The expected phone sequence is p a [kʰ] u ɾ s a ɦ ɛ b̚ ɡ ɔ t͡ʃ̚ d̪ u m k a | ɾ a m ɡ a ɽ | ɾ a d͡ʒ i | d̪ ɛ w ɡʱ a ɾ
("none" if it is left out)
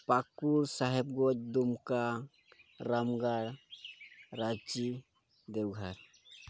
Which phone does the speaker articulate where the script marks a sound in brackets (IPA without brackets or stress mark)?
k